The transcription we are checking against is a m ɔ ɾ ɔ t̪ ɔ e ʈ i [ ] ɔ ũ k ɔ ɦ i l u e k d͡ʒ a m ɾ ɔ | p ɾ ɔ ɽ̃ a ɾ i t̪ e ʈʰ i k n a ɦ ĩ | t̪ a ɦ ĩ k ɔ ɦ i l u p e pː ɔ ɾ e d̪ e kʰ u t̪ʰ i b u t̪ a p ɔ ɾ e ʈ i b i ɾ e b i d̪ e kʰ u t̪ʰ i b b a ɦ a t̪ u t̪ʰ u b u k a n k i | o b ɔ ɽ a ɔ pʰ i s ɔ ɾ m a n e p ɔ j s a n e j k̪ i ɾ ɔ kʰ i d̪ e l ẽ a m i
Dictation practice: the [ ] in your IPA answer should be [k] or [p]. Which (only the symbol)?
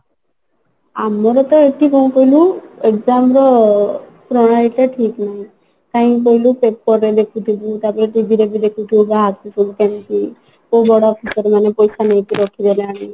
k